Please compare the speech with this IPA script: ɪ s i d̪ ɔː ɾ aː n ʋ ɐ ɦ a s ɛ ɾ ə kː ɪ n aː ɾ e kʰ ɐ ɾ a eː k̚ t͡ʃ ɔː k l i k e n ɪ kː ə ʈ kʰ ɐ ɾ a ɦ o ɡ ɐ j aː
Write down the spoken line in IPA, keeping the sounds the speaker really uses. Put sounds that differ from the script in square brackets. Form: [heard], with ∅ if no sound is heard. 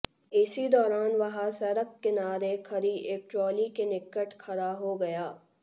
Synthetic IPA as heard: ɪ s i d̪ ɔː ɾ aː n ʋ ɐ ɦ a s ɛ ɾ ə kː ɪ n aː ɾ e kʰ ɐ ɾ [i] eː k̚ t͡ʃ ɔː [∅] l i k e n ɪ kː ə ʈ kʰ ɐ ɾ a ɦ o ɡ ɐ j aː